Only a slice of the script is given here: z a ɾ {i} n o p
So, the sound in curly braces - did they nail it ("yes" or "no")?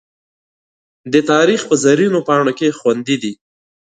yes